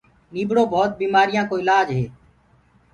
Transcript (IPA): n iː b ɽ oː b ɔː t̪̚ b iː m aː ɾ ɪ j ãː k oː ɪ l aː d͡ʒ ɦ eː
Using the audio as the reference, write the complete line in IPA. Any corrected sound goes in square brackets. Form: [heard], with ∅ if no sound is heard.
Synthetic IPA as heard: n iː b ɽ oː b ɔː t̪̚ b iː m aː ɾ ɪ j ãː k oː ɪ l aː d͡ʒ ɦ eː